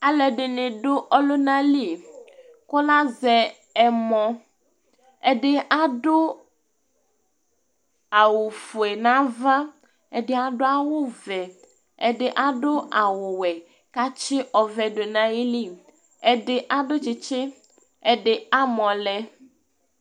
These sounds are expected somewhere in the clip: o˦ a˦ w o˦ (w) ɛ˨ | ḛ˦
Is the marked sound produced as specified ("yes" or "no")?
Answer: no